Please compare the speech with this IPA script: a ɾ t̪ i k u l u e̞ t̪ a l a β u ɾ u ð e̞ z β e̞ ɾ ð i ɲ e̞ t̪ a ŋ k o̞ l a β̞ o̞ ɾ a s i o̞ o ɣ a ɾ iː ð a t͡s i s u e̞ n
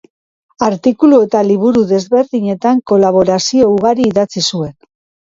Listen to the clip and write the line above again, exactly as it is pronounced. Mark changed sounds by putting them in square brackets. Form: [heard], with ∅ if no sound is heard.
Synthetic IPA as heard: a ɾ t̪ i k u l u e̞ t̪ a l [i] β u ɾ u ð e̞ z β e̞ ɾ ð i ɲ e̞ t̪ a ŋ k o̞ l a β̞ o̞ ɾ a s i o̞ [u] ɣ a ɾ iː ð a t͡s i s u e̞ n